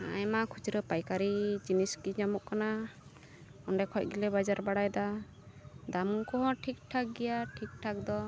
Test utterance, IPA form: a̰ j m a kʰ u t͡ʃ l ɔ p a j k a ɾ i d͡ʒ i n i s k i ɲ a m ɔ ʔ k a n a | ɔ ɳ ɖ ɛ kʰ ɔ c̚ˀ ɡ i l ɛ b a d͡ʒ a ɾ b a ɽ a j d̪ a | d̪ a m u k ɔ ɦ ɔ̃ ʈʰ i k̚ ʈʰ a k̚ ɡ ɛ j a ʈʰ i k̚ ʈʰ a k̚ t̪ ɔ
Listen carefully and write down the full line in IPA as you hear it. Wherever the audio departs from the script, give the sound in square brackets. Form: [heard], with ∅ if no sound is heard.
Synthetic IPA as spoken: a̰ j m a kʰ u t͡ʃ [ɾ] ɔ p a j k a ɾ i d͡ʒ i n i s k i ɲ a m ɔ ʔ k a n a | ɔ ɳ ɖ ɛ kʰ ɔ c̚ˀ ɡ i l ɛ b a d͡ʒ a ɾ b a ɽ a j d̪ a | d̪ a m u k ɔ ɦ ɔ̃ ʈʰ i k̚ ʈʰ a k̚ ɡ ɛ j a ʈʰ i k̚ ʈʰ a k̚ [d̪] ɔ